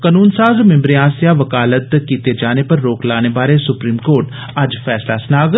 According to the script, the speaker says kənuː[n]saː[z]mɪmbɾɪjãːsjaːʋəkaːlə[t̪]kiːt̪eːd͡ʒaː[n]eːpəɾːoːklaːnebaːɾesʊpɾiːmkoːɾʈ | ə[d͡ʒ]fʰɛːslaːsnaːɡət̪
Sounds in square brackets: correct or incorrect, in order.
correct, correct, correct, correct, correct

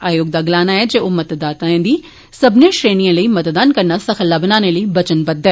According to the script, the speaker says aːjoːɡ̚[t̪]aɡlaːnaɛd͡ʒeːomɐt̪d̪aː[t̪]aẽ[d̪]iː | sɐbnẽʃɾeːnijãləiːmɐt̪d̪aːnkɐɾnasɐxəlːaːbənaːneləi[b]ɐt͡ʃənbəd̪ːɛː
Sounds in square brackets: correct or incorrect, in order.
incorrect: d̪, correct, correct, correct

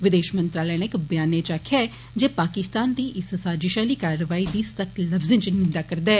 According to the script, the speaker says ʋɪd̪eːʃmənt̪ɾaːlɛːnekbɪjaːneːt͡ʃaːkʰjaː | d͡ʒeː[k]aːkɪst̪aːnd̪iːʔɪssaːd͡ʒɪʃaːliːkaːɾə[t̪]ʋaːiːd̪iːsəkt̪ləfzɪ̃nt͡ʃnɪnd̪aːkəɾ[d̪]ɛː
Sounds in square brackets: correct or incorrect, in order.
incorrect: p, incorrect: none, correct

